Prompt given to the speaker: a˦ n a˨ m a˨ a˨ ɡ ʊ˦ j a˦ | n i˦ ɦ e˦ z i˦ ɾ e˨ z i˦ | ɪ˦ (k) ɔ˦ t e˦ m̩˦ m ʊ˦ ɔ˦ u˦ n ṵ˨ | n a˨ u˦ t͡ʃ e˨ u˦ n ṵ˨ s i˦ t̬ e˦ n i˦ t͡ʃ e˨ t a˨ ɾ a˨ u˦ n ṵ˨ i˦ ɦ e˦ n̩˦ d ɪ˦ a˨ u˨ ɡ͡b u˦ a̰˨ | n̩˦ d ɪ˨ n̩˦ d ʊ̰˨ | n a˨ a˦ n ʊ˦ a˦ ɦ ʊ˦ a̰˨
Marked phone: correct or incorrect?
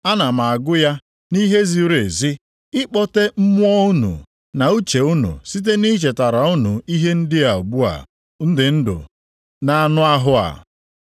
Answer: incorrect